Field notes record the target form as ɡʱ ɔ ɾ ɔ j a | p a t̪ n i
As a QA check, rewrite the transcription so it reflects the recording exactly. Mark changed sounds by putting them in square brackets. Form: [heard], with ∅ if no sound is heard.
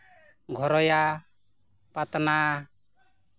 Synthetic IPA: ɡʱ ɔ ɾ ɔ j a | p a t̪ n [a]

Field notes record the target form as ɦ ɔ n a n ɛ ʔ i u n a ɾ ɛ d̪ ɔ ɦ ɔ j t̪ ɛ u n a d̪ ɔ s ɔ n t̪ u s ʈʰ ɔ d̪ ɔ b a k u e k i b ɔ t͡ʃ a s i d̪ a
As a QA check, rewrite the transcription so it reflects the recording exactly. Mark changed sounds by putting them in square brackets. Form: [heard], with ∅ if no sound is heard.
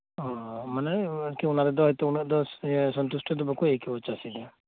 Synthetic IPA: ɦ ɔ [m] a n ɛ [k] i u n a ɾ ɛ d̪ ɔ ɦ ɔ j t̪ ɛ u n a d̪ ɔ s ɔ n t̪ u s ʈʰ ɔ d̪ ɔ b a k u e k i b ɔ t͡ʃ a s i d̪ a

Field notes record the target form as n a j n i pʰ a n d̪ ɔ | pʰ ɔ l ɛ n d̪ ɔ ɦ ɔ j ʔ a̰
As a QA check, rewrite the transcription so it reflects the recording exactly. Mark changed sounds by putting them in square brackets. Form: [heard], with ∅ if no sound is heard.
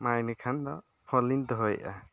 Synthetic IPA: [m] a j n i [kʰ] a n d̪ ɔ | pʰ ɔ l [i] n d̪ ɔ ɦ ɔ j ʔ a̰

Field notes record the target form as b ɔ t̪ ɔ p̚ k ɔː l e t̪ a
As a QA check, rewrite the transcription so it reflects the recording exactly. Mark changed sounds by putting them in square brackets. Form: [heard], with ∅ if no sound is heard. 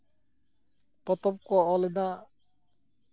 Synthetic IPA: [p] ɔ t̪ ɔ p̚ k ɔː l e [d̪] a

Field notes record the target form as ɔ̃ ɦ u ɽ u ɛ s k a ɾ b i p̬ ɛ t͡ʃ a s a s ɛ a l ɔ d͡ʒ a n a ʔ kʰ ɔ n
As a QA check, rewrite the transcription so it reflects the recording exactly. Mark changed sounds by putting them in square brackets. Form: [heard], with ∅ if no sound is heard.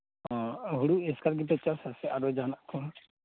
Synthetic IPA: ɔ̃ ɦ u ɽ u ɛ s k a ɾ [ɡ] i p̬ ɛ t͡ʃ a s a s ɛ a [ɾ] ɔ d͡ʒ a n a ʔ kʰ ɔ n

